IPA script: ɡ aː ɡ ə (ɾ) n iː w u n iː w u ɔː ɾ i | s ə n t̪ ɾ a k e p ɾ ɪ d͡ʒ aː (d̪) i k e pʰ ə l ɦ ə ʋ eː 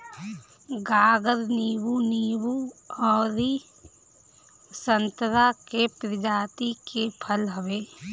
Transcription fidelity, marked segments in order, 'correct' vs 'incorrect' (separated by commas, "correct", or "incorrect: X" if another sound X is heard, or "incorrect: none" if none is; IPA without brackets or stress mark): correct, incorrect: t̪